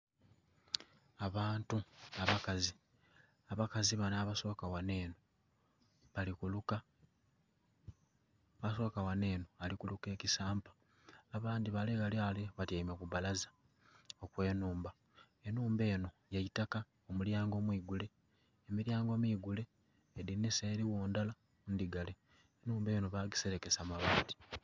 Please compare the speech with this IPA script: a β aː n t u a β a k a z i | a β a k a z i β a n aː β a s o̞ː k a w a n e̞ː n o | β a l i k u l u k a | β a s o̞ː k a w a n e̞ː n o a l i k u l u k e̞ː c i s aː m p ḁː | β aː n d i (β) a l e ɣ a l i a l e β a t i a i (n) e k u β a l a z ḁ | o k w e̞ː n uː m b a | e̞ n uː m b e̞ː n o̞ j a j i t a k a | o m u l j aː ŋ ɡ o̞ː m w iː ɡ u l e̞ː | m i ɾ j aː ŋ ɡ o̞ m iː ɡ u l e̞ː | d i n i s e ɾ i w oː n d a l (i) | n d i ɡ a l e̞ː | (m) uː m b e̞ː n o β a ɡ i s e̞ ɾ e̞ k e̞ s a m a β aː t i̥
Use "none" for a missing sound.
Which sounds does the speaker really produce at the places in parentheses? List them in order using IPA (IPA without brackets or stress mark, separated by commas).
β, m, a, n